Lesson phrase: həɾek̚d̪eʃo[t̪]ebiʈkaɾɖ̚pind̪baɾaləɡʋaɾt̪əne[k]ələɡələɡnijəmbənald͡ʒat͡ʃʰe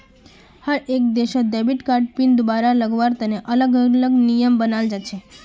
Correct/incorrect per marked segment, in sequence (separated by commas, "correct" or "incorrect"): incorrect, incorrect